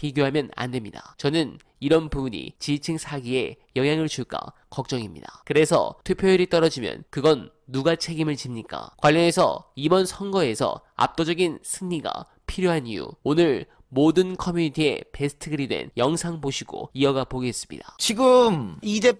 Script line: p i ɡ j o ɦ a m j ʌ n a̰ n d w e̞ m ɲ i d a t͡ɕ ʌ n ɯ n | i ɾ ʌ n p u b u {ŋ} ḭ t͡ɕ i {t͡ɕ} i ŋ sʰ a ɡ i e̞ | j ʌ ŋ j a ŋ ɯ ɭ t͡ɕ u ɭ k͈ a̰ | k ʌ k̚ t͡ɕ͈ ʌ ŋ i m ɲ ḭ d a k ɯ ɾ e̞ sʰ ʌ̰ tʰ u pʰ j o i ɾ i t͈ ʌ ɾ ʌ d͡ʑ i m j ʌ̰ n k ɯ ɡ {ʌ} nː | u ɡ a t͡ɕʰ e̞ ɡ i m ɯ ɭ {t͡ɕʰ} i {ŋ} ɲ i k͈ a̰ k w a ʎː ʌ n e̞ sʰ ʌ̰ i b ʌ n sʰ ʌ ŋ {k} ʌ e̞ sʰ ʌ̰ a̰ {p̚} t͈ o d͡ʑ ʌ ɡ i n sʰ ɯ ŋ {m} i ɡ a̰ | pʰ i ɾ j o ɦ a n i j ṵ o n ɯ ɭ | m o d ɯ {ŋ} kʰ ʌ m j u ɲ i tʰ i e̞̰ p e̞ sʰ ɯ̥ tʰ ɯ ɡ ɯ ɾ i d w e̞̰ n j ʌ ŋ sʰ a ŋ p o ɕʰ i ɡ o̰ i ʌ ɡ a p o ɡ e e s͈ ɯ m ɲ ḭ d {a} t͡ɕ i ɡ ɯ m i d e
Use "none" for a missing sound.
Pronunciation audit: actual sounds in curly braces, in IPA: ɲ, t͡ɕʰ, ʌ, t͡ɕ, m, ɡ, p̚, ɲ, n, a

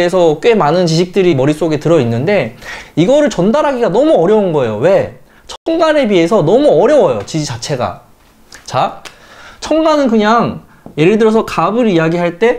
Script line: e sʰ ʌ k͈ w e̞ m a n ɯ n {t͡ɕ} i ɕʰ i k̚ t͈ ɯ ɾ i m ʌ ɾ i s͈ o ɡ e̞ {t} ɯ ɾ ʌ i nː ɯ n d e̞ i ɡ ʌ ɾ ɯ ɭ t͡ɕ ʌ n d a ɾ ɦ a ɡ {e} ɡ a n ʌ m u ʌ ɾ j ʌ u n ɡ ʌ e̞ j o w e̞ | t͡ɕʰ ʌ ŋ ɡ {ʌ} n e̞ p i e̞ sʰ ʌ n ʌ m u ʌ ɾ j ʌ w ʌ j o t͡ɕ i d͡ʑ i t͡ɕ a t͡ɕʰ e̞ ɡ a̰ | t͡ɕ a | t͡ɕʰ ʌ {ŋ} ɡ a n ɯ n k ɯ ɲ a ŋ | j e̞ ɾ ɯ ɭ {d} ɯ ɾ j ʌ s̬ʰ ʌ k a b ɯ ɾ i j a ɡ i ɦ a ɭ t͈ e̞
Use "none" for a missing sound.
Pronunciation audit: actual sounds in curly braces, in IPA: t͡ɕ, t, i, a, ŋ, d

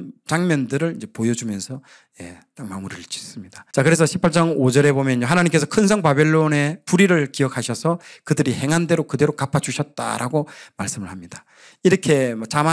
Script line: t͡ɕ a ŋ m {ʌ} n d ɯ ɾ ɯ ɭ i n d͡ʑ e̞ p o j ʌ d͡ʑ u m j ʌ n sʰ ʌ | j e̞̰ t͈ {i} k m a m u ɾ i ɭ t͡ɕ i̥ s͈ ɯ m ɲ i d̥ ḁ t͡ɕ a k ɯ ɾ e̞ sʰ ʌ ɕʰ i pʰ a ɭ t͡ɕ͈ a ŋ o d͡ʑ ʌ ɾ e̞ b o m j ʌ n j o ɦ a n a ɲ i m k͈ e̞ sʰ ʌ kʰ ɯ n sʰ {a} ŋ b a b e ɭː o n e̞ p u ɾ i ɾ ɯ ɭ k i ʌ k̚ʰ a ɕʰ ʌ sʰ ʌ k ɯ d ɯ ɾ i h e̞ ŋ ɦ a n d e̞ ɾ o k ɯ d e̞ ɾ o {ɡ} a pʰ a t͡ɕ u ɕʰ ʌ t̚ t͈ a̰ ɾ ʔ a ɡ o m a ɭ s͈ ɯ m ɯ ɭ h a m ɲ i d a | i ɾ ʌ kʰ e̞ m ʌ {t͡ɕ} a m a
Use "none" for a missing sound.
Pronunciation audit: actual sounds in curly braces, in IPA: ʌ, a, ʌ, k, t͡ɕ

